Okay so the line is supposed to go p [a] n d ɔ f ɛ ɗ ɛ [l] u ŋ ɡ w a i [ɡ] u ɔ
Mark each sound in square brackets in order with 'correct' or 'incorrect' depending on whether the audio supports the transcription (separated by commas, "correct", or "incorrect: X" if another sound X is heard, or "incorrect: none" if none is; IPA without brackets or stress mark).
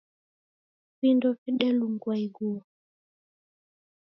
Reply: incorrect: i, correct, correct